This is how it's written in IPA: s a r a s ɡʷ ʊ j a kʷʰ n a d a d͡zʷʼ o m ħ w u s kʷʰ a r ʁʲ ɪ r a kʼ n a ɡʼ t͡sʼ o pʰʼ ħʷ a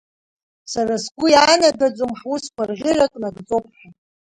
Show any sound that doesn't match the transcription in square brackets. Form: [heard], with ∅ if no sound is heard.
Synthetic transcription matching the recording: s a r a s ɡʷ ʊ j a [∅] n a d a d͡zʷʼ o m ħ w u s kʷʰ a r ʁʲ ɪ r a kʼ n a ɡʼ t͡sʼ o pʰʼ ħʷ a